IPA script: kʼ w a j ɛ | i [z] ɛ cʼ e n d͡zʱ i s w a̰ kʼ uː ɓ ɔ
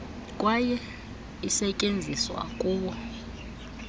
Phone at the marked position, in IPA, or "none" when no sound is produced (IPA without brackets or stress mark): s